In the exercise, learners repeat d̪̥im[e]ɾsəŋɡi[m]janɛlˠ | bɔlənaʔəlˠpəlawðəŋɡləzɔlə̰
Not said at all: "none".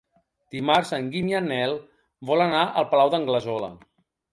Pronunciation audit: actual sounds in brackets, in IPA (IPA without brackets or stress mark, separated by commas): a, m